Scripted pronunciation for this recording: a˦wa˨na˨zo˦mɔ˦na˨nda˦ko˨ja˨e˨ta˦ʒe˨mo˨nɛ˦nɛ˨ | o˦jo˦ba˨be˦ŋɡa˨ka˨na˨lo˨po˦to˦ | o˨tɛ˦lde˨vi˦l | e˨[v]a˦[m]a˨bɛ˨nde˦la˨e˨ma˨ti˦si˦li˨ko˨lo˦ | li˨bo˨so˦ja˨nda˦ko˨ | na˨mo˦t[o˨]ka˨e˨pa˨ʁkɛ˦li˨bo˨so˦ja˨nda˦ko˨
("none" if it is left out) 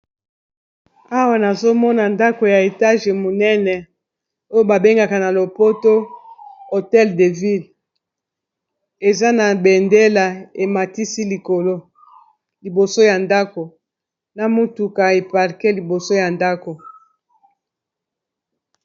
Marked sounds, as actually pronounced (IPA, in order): z, n, u˨

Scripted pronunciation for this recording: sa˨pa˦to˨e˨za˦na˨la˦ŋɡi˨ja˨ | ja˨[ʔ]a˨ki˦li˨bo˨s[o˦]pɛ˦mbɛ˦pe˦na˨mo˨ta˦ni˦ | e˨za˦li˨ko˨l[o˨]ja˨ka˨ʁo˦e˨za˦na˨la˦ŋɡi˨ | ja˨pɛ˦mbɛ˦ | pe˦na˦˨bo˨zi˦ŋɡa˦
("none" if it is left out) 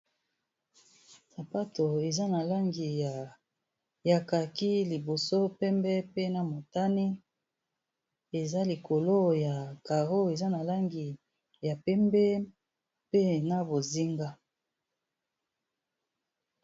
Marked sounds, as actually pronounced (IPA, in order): k, o˦, o˦

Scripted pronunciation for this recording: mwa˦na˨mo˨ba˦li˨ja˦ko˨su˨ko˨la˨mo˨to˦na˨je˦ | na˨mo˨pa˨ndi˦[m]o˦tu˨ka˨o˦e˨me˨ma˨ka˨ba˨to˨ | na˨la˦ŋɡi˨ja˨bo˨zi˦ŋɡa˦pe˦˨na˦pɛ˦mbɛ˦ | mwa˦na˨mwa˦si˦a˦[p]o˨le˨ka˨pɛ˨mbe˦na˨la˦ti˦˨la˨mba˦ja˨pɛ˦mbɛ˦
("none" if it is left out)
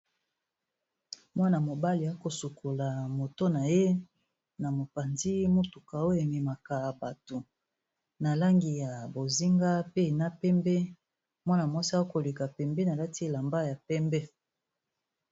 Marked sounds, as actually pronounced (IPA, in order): m, k

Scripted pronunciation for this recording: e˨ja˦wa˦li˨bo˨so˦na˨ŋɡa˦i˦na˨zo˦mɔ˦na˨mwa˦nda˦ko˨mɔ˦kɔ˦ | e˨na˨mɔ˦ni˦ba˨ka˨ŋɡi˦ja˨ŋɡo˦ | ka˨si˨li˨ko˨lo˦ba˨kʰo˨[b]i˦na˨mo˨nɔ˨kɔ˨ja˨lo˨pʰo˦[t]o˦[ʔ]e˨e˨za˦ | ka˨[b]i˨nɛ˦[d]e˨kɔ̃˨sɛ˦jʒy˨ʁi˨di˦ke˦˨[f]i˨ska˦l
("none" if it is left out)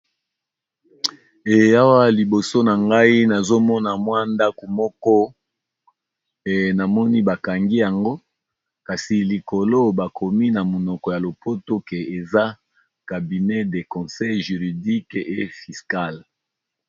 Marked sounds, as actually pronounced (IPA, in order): m, t, k, b, d, f

